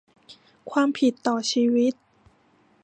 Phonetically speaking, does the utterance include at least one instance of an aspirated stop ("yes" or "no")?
yes